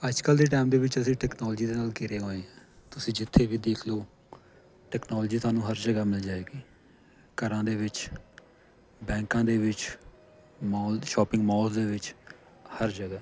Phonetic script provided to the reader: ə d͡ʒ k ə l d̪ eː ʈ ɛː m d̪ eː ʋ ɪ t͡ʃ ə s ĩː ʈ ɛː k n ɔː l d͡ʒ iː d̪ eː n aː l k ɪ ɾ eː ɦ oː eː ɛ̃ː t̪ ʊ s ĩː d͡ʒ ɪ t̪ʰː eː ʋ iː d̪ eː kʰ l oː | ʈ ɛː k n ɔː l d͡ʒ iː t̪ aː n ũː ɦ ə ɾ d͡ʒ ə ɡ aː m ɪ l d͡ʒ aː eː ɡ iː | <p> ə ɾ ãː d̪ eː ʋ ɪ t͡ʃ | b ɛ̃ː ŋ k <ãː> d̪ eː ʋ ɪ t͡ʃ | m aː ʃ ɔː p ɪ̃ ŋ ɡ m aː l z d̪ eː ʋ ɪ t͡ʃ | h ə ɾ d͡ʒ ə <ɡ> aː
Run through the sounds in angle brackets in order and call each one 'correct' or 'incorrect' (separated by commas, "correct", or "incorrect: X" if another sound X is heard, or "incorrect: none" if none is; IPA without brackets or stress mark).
incorrect: k, correct, correct